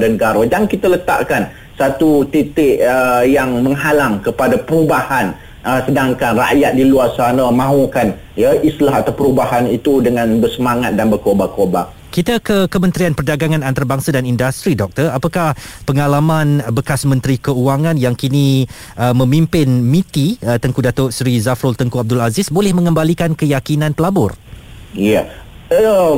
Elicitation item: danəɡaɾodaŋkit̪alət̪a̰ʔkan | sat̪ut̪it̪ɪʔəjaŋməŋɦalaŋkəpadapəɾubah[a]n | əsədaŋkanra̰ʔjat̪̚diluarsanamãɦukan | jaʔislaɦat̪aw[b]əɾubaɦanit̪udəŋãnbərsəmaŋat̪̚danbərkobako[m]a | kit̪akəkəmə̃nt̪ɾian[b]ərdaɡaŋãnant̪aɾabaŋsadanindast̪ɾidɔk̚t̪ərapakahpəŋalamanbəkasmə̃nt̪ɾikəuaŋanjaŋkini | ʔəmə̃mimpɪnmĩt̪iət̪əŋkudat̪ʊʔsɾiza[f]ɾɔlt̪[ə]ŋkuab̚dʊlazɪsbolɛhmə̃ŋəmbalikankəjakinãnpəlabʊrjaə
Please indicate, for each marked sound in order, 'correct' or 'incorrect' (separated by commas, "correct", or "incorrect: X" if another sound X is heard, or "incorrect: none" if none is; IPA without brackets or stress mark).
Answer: correct, incorrect: p, incorrect: b, incorrect: p, correct, correct